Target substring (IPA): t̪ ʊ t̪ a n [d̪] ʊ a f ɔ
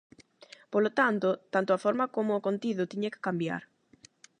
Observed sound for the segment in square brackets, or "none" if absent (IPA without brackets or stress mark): t̪